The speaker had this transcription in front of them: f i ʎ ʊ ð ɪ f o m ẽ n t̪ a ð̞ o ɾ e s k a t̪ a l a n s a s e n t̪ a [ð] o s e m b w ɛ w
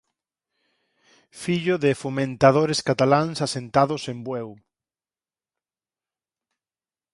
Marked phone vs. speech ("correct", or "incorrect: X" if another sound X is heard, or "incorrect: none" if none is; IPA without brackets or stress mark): correct